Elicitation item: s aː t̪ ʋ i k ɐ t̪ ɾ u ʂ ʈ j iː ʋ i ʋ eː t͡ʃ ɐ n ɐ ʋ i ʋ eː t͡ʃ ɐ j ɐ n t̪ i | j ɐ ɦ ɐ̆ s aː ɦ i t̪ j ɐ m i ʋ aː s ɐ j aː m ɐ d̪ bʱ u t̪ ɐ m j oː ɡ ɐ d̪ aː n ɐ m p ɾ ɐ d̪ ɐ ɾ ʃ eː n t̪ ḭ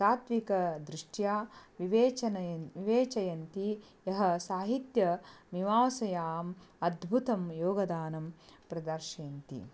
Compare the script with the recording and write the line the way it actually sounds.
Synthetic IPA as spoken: s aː t̪ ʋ i k ɐ d̪ ɾ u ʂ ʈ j aː ʋ i ʋ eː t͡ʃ ɐ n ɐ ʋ i ʋ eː t͡ʃ ɐ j ɐ n t̪ i | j ɐ ɦ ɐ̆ s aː ɦ i t̪ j ɐ m i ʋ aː s ɐ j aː m ɐ d̪ bʱ u t̪ ɐ m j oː ɡ ɐ d̪ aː n ɐ m p ɾ ɐ d̪ ɐ ɾ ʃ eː n t̪ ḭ